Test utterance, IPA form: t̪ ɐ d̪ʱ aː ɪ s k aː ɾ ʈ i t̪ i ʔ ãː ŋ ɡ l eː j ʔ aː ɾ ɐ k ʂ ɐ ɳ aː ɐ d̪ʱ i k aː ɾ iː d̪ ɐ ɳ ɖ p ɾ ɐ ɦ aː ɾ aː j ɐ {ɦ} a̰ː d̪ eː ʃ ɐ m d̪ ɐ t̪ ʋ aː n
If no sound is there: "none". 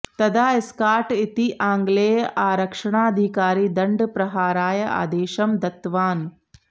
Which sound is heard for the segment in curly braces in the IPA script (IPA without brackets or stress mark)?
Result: none